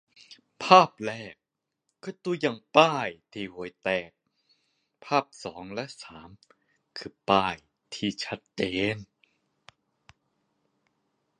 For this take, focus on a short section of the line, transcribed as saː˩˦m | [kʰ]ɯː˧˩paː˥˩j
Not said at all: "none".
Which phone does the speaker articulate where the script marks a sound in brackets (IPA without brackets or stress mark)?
kʰ